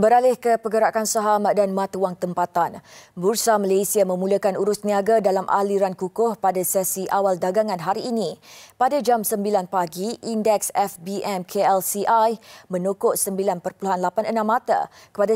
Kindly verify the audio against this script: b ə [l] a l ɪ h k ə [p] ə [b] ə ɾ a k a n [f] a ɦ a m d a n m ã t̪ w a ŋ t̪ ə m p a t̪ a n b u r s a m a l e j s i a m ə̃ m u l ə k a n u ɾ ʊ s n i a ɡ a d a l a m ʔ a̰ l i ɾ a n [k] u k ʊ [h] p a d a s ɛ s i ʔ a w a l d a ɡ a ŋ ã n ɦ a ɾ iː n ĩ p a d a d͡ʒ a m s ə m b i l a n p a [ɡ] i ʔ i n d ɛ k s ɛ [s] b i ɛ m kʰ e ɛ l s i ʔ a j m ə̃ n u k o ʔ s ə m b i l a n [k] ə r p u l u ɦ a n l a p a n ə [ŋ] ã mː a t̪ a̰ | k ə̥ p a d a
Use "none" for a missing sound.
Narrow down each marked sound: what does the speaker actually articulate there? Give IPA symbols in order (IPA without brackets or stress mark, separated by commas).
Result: ɾ, p, ɡ, s, k, h, ɡ, f, p, n